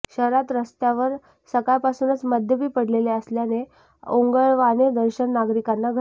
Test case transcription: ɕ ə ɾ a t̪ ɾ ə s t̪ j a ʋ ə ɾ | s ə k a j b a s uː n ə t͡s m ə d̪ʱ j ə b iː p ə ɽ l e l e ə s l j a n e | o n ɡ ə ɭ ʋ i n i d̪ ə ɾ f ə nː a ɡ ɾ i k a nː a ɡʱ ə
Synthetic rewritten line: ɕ ə ɾ a t̪ ɾ ə s t̪ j a ʋ ə ɾ | s ə k a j p a s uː n ə t͡s m ə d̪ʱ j ə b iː p ə ɽ l e l e ə s l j a n e | o ŋ ɡ ə ɭ ʋ a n e d̪ ə ɾ ɕ ə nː a ɡ ɾ i k a nː a ɡʱ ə